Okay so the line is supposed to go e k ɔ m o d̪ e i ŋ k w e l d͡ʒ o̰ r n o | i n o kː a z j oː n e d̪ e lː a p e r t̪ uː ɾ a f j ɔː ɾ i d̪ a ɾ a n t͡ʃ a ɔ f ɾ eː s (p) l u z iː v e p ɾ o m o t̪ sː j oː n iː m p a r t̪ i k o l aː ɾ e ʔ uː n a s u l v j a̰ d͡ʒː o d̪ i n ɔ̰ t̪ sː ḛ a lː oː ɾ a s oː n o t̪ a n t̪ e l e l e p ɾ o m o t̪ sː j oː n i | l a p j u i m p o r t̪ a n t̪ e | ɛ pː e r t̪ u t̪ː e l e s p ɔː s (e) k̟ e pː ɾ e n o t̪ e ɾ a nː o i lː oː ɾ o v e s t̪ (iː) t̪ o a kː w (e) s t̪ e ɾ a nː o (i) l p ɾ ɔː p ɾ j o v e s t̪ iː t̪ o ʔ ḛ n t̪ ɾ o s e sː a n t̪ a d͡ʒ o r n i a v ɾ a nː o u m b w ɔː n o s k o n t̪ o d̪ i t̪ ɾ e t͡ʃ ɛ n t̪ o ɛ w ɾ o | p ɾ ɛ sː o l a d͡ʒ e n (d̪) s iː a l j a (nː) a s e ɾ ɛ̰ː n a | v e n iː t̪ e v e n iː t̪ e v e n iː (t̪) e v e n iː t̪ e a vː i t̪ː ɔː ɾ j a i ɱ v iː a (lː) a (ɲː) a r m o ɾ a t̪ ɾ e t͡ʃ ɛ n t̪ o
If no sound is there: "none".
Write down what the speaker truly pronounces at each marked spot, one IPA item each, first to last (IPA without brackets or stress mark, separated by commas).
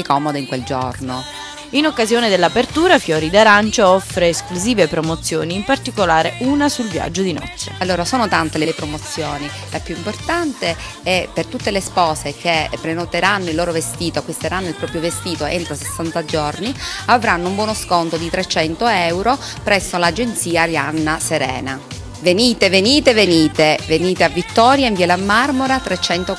k, e, iː, i, i, t̪, nː, t̪, l, mː